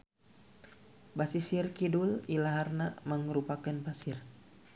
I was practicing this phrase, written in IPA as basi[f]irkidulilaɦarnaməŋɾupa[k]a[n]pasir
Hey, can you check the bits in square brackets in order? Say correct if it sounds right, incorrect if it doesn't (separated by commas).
incorrect, correct, correct